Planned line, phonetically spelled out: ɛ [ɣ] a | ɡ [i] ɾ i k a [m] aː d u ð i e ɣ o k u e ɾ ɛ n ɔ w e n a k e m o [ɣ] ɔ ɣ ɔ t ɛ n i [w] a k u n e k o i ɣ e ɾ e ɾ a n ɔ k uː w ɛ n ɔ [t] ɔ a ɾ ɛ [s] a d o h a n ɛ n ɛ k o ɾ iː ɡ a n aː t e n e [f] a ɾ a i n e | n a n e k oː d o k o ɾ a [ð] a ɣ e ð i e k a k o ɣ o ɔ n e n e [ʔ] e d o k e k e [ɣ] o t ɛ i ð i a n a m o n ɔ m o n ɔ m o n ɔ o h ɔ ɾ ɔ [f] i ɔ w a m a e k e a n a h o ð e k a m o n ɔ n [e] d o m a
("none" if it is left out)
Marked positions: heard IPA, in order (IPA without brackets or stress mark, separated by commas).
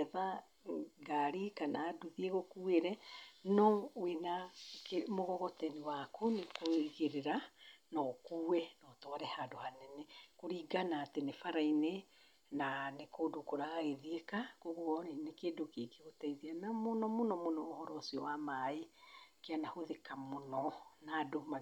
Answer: ð, a, n, ɣ, w, t, h, f, ɣ, k, ɣ, s, a